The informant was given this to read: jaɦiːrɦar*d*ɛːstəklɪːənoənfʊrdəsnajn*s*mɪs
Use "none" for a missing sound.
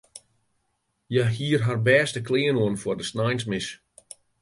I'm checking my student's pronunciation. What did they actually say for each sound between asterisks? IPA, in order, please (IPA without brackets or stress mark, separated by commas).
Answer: b, s